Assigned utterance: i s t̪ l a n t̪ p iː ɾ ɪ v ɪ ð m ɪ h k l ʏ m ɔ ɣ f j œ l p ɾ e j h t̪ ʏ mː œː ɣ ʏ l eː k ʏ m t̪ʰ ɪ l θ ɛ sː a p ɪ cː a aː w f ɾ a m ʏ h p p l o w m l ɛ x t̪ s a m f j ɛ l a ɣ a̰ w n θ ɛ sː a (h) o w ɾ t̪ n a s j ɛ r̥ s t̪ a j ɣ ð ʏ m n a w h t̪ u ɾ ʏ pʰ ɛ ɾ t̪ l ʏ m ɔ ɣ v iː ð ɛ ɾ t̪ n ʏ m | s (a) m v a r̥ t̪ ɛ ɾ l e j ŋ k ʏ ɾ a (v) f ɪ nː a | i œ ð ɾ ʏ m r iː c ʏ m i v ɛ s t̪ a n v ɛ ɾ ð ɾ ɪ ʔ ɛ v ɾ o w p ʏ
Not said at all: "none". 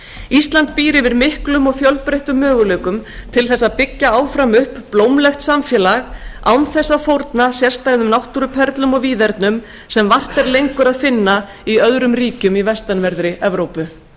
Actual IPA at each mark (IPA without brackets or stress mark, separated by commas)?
f, ɛ, ð